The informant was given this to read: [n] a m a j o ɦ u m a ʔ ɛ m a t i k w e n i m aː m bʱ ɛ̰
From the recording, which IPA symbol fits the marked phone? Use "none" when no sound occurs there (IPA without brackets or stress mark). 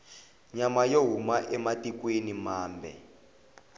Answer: ɲ